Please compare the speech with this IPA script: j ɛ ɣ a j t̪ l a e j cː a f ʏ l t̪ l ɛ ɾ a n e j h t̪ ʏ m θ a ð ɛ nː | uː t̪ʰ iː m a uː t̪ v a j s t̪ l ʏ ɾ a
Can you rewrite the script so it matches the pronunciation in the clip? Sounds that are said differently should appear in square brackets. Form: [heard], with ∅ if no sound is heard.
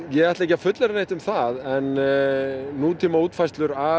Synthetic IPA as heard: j ɛ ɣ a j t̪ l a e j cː a f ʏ [∅] t̪ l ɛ ɾ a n e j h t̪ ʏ m θ a ð ɛ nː | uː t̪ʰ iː m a uː t̪ [f] a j s t̪ l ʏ ɾ a